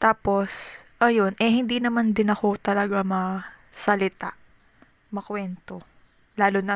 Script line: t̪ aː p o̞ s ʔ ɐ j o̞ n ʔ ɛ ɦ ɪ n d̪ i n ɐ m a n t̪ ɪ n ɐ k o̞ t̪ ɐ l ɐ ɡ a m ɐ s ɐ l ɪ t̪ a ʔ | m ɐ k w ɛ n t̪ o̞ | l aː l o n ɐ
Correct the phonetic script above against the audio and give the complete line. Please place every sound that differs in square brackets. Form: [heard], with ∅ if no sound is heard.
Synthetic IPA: t̪ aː p o̞ s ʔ ɐ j o̞ n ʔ ɛ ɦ ɪ n d̪ i n ɐ m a n [d̪] ɪ n ɐ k o̞ t̪ ɐ l ɐ ɡ a m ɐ s ɐ l ɪ t̪ a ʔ | m ɐ k w ɛ n t̪ o̞ | l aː l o n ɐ